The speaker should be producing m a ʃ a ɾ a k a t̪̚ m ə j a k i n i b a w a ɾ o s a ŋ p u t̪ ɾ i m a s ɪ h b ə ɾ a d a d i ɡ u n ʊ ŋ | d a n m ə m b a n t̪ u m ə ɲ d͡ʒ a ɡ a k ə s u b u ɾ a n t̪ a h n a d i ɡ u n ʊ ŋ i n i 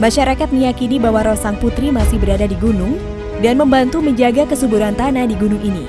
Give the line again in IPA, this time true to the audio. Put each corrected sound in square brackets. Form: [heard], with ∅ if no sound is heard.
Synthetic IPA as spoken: m a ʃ a ɾ a k a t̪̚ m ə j a k i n i b a w a ɾ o s a ŋ p u t̪ ɾ i m a s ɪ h b ə ɾ a d a d i ɡ u n ʊ ŋ | d a n m ə m b a n t̪ u m ə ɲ d͡ʒ a ɡ a k ə s u b u ɾ a n t̪ a [∅] n a d i ɡ u n ʊ ŋ i n i